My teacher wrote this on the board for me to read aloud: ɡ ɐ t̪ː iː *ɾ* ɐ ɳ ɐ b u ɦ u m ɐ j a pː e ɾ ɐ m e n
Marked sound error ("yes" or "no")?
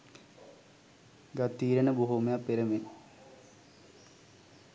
no